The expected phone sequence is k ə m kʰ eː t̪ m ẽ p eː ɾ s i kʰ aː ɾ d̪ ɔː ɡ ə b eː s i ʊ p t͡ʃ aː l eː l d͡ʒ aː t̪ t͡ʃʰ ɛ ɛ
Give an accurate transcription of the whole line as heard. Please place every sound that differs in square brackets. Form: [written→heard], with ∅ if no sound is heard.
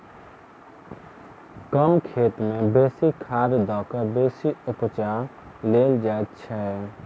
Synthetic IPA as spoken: k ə m kʰ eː t̪ m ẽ [p→b] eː [ɾ→∅] s i kʰ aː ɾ d̪ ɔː [ɡ→k] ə b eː s i ʊ p t͡ʃ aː l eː l d͡ʒ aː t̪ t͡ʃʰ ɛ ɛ